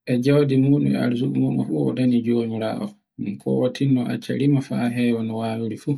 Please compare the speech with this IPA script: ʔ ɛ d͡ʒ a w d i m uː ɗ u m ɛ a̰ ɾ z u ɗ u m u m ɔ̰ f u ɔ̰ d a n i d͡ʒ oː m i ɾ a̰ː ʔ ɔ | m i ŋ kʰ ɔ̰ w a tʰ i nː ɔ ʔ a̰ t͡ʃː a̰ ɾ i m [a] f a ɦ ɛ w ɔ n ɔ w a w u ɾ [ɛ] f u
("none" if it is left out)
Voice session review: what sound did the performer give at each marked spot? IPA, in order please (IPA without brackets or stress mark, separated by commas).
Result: a, i